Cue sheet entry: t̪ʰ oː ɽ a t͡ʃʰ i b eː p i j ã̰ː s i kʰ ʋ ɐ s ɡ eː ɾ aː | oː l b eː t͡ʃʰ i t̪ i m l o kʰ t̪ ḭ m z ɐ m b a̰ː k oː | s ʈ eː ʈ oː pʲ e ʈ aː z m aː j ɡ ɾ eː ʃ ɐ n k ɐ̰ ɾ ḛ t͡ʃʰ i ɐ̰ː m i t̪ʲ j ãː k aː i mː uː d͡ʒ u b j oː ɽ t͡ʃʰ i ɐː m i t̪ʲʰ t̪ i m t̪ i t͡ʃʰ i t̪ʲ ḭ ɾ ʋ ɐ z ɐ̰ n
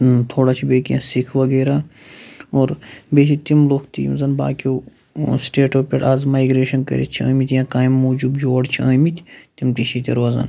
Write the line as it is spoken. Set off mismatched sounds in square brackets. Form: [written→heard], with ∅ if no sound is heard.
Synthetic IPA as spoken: t̪ʰ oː ɽ a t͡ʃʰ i b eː [p→k] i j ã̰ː s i kʰ ʋ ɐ [s→∅] ɡ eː ɾ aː | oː [l→ɾ] b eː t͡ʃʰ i t̪ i m l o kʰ t̪ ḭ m z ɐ [m→n] b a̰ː k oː | s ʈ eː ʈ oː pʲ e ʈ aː z m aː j ɡ ɾ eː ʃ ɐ n k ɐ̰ ɾ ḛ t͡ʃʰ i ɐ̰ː m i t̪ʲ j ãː k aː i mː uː d͡ʒ u b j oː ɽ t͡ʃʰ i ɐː m i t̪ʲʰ t̪ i m t̪ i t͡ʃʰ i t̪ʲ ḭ ɾ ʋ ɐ z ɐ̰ n